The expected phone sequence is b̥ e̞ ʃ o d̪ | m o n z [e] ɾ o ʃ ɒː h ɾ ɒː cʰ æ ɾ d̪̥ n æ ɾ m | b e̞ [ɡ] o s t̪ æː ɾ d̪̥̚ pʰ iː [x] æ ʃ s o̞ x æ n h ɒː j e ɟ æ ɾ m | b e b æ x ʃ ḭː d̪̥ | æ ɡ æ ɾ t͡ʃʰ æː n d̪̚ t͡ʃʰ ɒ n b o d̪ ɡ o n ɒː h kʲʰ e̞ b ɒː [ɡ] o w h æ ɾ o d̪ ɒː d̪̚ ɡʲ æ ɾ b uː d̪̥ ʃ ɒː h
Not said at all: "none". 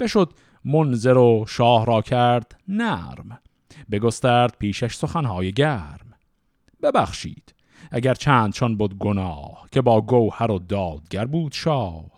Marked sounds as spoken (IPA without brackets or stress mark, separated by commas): e, ɡ, ʃ, ɡ